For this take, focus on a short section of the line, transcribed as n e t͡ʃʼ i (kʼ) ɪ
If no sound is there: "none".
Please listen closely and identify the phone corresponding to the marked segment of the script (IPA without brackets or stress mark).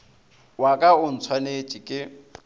kʼ